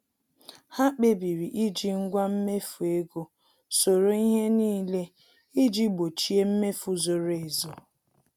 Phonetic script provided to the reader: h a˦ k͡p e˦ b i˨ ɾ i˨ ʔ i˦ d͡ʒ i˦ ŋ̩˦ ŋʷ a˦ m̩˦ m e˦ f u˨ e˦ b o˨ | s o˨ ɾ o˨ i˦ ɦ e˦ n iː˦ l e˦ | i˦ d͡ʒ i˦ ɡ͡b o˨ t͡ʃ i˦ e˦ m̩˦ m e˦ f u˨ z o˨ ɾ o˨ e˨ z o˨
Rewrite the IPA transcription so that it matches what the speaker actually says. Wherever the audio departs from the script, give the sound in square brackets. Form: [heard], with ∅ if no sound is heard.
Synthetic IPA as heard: h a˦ k͡p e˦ b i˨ ɾ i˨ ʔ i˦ d͡ʒ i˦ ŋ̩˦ [ɡʷ] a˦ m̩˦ m e˦ f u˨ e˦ [ɡ] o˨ | s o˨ ɾ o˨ i˦ ɦ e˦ n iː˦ l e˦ | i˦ d͡ʒ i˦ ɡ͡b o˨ t͡ʃ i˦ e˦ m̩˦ m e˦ f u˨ z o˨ ɾ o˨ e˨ z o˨